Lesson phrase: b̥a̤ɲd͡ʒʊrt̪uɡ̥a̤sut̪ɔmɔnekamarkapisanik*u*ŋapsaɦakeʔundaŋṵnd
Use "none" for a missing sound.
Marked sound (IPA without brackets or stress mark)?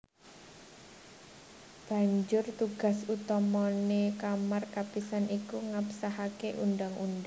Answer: u